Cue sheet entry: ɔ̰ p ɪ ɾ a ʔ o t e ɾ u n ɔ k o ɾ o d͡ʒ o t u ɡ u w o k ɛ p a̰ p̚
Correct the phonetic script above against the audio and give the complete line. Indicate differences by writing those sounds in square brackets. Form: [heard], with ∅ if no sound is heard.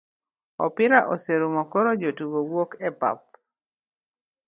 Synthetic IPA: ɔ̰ p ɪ ɾ a ʔ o [s] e ɾ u [m] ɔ k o ɾ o d͡ʒ o t u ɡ [o] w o k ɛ p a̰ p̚